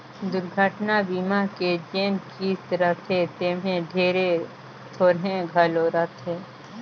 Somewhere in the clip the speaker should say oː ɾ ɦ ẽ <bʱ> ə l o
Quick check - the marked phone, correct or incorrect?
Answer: incorrect